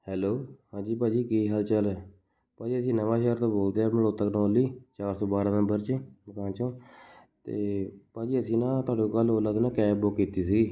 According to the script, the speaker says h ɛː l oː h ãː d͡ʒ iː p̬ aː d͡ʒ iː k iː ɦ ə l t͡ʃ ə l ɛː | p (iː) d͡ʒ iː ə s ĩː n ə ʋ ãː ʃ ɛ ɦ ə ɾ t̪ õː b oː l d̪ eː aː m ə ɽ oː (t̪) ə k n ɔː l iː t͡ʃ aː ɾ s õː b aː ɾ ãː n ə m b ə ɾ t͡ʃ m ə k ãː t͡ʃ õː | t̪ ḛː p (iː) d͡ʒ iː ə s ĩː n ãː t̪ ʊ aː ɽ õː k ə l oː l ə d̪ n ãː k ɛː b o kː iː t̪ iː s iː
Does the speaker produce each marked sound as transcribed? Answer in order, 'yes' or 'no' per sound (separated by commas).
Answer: no, yes, no